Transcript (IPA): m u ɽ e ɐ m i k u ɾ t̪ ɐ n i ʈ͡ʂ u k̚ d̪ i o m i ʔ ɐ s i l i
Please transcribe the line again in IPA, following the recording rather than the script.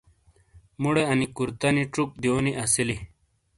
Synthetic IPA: m u ɽ e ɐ n i k u ɾ t̪ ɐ n i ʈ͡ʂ u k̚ d̪ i o n i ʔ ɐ s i l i